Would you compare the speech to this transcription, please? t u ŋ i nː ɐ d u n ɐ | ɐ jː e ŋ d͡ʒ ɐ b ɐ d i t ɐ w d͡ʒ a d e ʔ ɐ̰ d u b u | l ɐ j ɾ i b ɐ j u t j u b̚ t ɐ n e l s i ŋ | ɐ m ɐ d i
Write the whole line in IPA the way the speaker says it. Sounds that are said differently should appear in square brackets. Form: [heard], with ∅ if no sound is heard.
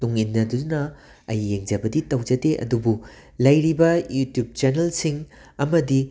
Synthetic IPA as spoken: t u ŋ i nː ɐ d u n ɐ | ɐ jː e ŋ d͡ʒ ɐ b ɐ d i t ɐ w d͡ʒ [ɐ] d e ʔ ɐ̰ d u b u | l ɐ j ɾ i b ɐ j u t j u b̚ [t͡ʃ] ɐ n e l s i ŋ | ɐ m ɐ d i